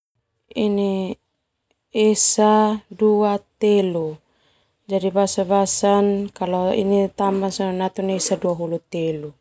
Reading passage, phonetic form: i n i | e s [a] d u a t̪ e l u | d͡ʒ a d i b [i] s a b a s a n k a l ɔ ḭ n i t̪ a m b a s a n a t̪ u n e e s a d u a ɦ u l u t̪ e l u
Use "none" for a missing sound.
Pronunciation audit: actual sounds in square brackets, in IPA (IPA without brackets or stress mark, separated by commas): a, a